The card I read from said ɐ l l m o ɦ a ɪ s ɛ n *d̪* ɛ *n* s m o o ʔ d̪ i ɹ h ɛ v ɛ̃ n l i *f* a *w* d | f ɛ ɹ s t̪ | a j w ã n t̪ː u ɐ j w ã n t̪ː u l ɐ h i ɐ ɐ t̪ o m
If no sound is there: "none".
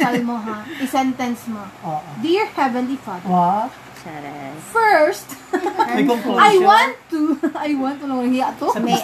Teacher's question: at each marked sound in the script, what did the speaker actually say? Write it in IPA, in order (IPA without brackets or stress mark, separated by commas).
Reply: t̪, n, f, none